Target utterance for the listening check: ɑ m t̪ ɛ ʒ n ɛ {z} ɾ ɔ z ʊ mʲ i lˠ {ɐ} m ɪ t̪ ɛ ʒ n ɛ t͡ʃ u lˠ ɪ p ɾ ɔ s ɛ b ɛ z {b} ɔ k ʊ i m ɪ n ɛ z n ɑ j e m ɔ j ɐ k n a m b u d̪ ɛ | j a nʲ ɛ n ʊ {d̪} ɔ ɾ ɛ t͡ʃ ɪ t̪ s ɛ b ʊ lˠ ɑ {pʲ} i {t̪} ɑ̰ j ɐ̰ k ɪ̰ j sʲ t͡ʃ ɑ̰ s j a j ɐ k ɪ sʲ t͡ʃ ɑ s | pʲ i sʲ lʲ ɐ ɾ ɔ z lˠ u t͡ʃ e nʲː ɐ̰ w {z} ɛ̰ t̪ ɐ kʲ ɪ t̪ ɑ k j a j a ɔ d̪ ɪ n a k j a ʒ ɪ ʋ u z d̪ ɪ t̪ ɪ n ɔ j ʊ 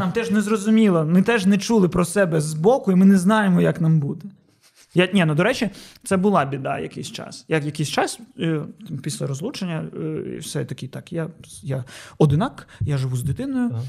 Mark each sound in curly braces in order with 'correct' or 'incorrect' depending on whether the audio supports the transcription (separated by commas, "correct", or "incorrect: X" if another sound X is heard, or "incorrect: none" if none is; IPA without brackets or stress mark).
correct, correct, correct, correct, incorrect: bʲ, incorrect: d̪, incorrect: s